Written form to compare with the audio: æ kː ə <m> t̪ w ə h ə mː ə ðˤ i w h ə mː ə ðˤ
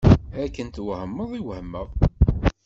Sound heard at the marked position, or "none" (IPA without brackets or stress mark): n